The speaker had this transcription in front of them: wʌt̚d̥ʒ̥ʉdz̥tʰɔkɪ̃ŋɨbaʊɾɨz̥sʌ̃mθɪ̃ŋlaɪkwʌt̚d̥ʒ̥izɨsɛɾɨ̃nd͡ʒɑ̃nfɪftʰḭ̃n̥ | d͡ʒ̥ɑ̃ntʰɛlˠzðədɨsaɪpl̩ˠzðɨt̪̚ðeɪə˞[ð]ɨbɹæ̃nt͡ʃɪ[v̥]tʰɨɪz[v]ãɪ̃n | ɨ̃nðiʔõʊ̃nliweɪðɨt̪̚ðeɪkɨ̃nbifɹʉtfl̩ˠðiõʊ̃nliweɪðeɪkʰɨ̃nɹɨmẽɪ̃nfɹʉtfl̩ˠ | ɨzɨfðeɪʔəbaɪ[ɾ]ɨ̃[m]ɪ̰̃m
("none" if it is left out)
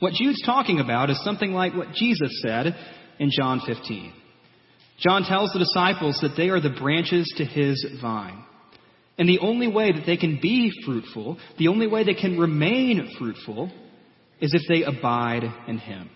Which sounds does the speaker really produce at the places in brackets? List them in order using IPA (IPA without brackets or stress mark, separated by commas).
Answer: ð, z̥, v, ɾ, n